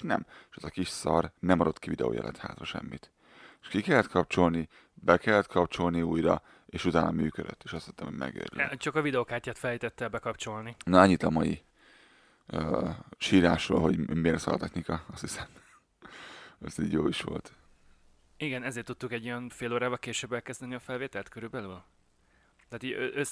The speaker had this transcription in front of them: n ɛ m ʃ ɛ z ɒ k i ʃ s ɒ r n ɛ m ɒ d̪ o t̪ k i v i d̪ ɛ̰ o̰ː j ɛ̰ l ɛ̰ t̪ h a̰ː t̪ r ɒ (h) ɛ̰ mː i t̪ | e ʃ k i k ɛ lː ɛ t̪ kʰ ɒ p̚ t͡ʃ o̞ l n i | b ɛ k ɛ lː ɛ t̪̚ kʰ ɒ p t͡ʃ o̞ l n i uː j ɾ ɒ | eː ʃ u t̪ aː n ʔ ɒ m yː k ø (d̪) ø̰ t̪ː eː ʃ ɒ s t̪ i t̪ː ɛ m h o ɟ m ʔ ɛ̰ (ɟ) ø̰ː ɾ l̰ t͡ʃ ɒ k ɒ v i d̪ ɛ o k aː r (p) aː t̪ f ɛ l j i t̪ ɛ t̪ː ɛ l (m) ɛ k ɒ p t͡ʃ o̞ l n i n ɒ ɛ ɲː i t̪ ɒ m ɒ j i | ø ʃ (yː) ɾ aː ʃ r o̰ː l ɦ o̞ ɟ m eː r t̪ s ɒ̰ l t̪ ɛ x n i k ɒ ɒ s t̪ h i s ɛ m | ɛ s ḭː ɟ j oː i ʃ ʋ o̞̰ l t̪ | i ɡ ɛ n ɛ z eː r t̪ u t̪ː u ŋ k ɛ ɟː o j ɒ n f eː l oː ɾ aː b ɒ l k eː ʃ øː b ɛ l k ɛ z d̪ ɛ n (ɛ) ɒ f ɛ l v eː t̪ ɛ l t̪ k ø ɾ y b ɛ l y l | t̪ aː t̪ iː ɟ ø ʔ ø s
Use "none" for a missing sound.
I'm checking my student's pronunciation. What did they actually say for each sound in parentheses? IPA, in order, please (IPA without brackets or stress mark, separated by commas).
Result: ʃ, d̪, ɡ, c, b, iː, i